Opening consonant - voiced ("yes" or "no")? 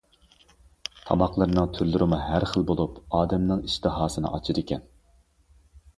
no